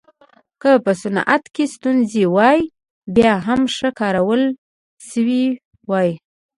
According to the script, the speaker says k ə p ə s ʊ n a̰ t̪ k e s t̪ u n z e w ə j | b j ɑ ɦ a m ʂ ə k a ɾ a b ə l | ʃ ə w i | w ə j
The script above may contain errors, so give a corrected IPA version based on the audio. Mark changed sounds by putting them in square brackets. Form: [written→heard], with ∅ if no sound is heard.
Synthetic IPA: k ə p ə s ʊ n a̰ t̪ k e s t̪ u n z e w [ə→ɑ] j | b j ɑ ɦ a m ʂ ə k [a→ɑ] ɾ a [b→w] ə l | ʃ ə w i | w [ə→ɑ] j